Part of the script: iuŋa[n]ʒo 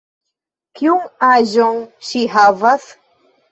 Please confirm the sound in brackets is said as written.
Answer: no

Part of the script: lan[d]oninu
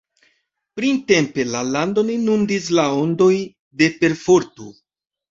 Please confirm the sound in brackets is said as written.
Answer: yes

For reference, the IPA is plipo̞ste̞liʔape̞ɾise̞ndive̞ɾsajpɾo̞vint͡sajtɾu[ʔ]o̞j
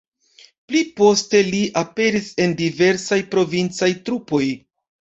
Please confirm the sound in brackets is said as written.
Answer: no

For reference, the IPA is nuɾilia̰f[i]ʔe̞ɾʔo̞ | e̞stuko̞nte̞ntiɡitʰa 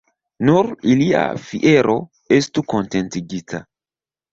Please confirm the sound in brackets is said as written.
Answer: yes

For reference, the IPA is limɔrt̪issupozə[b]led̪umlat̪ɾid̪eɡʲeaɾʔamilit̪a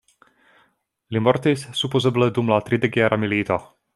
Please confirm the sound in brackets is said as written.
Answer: yes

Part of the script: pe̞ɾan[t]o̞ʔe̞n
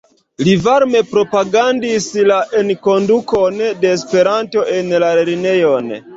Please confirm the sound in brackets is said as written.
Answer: yes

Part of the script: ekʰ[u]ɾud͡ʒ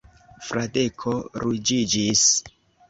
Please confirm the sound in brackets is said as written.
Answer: no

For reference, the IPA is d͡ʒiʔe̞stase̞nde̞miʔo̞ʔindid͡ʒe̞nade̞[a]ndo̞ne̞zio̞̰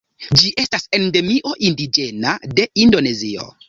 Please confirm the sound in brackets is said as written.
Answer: no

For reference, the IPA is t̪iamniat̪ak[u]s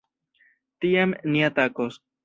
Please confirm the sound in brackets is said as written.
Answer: no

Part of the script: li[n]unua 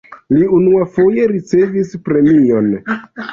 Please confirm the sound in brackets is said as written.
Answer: no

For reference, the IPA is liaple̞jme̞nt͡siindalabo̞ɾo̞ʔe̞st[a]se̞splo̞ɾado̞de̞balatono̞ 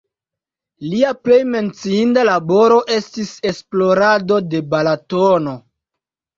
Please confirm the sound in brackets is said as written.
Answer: no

